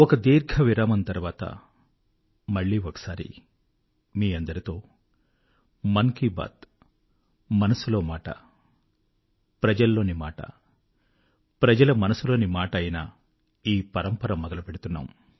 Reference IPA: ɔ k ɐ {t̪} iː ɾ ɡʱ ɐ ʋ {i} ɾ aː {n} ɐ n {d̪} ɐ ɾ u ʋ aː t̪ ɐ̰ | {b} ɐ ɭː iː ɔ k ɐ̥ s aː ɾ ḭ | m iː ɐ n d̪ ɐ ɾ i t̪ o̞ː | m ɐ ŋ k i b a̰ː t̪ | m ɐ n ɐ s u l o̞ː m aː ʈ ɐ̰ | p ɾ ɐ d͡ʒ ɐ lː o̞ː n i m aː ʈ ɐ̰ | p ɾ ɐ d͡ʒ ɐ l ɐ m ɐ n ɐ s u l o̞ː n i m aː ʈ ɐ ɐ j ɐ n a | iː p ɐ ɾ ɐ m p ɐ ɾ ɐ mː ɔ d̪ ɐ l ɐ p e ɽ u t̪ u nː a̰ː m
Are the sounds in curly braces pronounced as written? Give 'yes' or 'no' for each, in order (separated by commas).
no, yes, no, no, no